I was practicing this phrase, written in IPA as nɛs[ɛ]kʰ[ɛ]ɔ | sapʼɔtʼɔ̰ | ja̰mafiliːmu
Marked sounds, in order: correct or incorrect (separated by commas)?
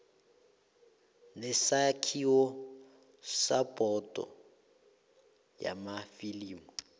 incorrect, incorrect